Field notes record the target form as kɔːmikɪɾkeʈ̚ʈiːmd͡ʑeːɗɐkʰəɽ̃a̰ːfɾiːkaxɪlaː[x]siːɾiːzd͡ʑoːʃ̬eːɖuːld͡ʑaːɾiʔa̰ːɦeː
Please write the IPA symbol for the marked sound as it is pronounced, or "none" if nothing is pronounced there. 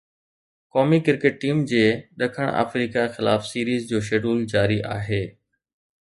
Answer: f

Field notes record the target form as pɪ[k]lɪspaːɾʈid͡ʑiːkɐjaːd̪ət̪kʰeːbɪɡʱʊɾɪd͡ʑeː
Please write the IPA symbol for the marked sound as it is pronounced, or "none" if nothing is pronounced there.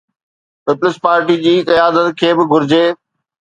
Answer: p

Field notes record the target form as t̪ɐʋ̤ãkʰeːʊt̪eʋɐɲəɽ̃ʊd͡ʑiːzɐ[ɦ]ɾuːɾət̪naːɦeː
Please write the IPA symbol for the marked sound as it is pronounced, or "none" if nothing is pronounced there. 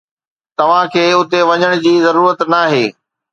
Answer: none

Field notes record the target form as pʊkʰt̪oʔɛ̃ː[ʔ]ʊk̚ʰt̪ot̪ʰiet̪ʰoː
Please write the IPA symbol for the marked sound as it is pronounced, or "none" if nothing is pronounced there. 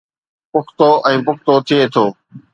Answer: p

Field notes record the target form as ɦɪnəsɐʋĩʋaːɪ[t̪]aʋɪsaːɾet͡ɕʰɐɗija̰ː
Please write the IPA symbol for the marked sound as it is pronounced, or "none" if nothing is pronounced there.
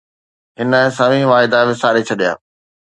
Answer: d̪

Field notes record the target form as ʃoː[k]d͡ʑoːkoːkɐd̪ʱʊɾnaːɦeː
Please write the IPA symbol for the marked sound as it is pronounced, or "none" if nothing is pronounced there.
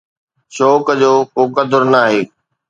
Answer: k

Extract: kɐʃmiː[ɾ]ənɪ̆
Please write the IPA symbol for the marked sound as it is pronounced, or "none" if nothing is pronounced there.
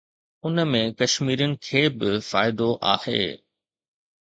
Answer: ɾ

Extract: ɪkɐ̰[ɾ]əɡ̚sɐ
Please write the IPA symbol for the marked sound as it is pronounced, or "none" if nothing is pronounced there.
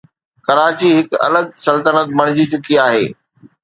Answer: l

